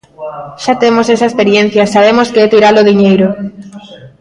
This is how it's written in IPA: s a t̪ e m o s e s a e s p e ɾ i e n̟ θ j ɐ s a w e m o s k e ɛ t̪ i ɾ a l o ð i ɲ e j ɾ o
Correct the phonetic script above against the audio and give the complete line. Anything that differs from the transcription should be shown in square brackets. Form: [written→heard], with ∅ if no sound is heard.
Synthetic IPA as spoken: [s→ʃ] a t̪ e m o s e s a e s p e ɾ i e n̟ θ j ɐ s a [w→β] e m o s k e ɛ t̪ i ɾ a l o ð i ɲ e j ɾ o